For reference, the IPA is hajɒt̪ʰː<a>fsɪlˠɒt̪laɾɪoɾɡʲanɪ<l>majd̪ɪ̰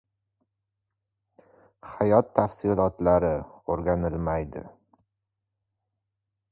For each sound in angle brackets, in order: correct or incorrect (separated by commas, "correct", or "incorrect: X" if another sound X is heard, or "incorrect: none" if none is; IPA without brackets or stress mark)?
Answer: correct, correct